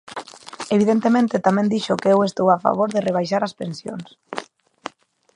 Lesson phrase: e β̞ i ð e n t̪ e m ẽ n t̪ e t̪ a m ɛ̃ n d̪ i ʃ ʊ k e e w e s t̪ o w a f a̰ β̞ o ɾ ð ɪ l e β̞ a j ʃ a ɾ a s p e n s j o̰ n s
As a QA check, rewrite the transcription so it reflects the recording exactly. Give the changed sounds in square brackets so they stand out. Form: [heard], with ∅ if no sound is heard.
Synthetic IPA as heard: e β̞ i ð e n t̪ e m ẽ n t̪ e t̪ a m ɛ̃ n d̪ i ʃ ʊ k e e w e s t̪ o w a f a̰ β̞ o ɾ ð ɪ [r] e β̞ a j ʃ a ɾ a s p e n s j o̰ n s